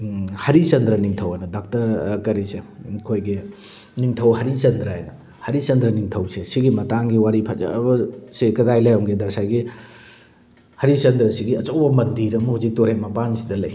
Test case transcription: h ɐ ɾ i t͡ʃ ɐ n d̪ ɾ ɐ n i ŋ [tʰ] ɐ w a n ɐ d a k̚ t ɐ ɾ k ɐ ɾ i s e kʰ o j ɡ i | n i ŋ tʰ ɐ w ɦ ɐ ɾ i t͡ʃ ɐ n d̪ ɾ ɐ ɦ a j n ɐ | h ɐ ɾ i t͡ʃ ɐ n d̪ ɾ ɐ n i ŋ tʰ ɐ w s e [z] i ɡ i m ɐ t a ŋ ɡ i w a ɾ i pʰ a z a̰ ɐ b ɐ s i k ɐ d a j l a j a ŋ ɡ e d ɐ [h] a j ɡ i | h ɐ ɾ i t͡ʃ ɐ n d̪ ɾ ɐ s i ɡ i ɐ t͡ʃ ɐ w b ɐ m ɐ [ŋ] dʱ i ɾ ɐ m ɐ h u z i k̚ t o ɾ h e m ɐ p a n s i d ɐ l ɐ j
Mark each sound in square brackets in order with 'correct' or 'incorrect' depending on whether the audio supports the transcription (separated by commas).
correct, incorrect, incorrect, incorrect